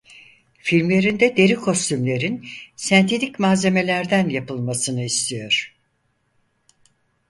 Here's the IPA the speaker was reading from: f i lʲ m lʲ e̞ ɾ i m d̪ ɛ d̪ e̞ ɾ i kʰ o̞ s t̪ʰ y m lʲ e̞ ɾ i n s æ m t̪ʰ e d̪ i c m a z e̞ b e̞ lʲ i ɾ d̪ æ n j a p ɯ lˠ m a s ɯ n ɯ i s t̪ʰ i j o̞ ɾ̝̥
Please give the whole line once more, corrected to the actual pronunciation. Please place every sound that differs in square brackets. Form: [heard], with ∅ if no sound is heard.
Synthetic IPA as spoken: f i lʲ m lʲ e̞ ɾ i [n] d̪ ɛ d̪ e̞ ɾ i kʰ o̞ s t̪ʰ y m lʲ e̞ ɾ i n s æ [n] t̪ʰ e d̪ i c m a z e̞ [m] e̞ lʲ [æ] ɾ d̪ æ n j a p ɯ lˠ m a s ɯ n ɯ i s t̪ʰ i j o̞ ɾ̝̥